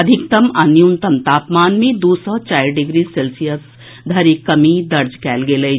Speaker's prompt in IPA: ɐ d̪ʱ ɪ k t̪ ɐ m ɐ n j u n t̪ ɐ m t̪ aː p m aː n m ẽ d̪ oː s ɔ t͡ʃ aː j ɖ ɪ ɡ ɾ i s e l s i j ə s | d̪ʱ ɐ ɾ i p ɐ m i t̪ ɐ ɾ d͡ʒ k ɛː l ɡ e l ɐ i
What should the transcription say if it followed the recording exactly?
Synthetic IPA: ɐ d̪ʱ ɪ k t̪ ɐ m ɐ n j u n t̪ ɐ m t̪ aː p m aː n m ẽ d̪ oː s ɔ t͡ʃ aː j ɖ ɪ ɡ ɾ i s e l s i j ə s | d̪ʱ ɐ ɾ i k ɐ m i d̪ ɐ ɾ d͡ʒ k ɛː l ɡ e l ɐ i